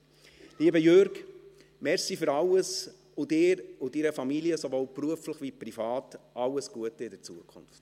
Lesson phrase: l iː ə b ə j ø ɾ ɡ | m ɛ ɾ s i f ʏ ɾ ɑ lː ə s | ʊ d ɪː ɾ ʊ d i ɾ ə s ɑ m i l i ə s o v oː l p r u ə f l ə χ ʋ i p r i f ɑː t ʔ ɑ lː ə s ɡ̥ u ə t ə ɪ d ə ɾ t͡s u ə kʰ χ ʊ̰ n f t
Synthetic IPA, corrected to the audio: l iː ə b ə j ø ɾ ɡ | m ɛ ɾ s i f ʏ ɾ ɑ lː ə s | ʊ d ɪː ɾ ʊ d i ɾ ə f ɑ m i l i ə s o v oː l p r u ə f l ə χ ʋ i p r i f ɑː t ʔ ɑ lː ə s ɡ̥ u ə t ə ɪ d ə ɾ t͡s u ə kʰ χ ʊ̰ n f t